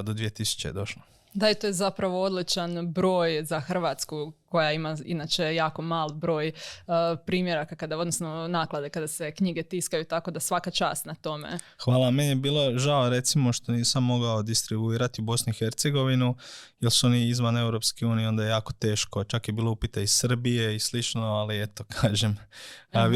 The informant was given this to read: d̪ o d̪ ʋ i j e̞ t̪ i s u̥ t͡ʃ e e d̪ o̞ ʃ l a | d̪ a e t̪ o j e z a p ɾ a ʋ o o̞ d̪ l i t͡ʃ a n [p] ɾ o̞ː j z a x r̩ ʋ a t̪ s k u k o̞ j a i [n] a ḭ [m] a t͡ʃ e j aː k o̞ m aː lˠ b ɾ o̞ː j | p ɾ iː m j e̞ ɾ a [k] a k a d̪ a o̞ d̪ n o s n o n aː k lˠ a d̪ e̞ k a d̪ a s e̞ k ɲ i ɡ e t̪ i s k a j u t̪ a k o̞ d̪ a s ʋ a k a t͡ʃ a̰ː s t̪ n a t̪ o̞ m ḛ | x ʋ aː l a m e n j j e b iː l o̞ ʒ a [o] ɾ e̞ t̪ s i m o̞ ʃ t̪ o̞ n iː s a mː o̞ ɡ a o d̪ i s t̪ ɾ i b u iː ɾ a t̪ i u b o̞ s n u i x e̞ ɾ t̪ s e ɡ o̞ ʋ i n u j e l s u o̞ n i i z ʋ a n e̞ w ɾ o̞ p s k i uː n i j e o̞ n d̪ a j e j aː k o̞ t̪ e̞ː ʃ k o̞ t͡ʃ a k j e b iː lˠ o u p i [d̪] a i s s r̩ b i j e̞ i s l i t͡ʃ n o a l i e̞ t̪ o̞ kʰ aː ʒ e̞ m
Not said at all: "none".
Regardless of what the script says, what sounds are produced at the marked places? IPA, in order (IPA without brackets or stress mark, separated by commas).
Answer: b, m, n, k, o, t̪